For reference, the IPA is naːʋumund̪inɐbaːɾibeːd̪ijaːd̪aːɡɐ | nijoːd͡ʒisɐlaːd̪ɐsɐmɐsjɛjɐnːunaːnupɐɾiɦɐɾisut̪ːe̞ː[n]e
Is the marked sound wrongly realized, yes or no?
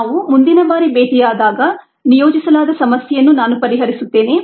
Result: no